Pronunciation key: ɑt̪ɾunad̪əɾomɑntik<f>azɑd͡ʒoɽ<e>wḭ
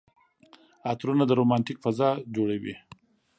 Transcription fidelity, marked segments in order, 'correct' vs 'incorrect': correct, incorrect: a

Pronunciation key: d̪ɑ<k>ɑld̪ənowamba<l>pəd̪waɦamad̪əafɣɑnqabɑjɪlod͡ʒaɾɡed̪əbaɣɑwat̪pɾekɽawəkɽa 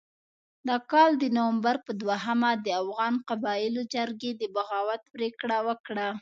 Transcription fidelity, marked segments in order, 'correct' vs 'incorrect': correct, incorrect: ɾ

